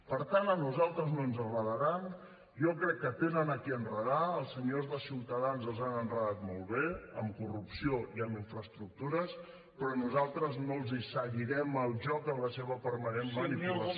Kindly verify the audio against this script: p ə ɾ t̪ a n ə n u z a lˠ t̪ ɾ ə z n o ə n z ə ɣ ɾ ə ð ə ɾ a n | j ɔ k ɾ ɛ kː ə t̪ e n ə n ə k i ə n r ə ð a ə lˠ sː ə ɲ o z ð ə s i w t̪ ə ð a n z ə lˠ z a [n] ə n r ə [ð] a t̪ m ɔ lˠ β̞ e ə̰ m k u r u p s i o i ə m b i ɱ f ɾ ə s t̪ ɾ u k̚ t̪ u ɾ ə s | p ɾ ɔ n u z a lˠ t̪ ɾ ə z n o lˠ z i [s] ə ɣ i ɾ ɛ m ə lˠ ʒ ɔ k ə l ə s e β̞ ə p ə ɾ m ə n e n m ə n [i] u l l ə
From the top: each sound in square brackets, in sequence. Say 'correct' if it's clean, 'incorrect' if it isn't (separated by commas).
correct, correct, correct, correct